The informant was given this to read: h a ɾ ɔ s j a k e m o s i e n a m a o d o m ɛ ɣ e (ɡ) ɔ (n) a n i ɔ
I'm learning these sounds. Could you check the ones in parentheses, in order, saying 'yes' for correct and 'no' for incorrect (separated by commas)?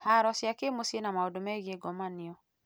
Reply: yes, no